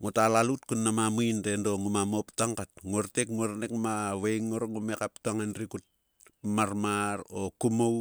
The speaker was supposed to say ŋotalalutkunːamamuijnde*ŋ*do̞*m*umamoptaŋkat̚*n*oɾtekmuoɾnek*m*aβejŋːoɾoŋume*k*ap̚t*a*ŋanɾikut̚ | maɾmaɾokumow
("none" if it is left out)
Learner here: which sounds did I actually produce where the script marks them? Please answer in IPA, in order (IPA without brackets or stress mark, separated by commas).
n, ŋ, ŋ, m, k, a